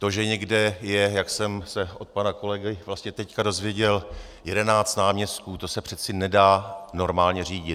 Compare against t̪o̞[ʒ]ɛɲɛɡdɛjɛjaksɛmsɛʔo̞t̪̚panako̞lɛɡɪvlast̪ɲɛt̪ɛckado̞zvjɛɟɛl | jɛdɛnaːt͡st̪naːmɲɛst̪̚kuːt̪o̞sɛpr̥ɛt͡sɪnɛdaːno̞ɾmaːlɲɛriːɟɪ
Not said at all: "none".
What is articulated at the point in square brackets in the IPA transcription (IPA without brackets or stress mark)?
ʒ